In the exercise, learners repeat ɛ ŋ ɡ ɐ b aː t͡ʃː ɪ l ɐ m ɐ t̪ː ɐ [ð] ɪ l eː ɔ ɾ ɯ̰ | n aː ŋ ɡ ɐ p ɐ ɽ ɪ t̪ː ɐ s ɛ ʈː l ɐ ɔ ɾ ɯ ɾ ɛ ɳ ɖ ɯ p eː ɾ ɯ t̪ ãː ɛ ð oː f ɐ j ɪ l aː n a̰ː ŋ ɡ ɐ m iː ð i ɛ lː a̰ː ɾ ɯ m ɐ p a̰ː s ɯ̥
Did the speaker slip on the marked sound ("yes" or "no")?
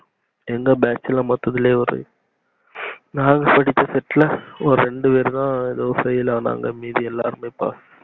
no